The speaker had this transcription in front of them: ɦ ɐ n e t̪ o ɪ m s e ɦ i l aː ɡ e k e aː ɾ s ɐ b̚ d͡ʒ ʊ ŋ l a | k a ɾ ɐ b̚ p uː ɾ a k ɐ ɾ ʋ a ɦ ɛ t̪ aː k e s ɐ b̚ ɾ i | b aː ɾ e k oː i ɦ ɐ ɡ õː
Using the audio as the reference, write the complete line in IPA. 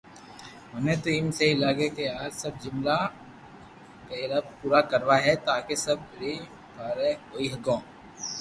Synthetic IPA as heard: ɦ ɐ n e t̪ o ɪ m s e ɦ i l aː ɡ e k e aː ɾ s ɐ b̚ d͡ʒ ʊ m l a | k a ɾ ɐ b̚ p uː ɾ a k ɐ ɾ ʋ a ɦ ɛ t̪ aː k e s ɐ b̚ ɾ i | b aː ɾ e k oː i ɦ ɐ ɡ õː